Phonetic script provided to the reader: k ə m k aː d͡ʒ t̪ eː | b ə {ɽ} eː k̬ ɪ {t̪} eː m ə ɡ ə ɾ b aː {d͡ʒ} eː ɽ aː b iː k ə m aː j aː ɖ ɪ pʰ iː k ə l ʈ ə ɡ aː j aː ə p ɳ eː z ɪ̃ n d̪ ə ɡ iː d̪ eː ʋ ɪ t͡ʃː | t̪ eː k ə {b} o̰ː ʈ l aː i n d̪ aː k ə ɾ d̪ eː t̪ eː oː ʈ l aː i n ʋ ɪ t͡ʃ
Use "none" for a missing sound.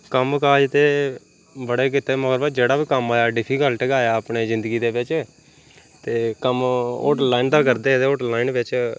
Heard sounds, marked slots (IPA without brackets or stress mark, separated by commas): ɽ, t̪, d͡ʒ, m